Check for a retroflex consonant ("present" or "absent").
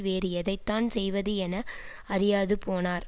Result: absent